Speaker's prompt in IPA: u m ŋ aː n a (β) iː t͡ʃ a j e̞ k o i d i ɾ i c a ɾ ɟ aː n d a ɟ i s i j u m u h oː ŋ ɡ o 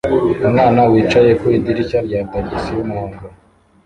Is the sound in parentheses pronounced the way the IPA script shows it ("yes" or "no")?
no